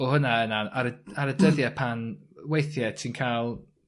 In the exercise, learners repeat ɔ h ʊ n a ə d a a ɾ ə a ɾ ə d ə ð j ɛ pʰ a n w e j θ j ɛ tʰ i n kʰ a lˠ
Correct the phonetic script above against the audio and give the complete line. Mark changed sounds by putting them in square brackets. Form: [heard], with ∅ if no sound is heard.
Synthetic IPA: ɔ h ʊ n a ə [n] a a ɾ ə a ɾ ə d ə ð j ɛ pʰ a n w e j θ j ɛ tʰ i n kʰ a lˠ